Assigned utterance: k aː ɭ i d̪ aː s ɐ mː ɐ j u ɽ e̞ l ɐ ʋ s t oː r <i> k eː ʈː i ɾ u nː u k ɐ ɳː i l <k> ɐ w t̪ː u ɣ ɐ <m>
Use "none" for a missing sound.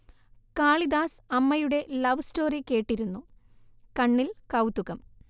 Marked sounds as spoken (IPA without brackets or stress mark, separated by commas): i, k, m